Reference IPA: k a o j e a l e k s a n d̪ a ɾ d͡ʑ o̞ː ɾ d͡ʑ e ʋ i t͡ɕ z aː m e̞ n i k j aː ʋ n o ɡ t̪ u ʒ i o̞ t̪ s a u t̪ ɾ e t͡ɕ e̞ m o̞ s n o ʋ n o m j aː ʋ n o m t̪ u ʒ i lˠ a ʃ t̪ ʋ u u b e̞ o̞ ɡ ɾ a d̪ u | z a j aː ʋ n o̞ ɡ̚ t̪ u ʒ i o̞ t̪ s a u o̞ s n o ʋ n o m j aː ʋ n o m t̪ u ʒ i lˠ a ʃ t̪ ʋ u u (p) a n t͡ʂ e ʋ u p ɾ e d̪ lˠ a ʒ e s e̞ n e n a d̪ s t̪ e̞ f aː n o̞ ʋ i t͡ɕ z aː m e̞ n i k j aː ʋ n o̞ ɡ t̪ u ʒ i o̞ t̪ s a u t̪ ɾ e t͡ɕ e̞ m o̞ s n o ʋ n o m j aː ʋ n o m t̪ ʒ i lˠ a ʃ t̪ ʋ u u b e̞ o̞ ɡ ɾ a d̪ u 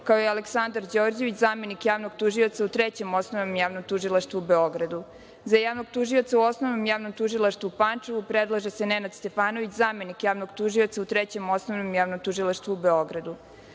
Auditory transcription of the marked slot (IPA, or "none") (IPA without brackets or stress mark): p